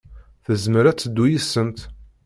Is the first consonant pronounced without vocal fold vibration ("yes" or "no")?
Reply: yes